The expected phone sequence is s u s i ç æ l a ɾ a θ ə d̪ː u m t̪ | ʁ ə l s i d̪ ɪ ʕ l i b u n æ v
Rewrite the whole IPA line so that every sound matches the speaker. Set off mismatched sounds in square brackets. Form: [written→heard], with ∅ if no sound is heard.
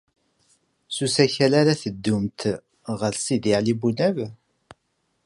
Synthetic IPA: s u s [i→æ] ç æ l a ɾ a θ ə d̪ː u m t̪ | ʁ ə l s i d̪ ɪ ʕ l i b u n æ v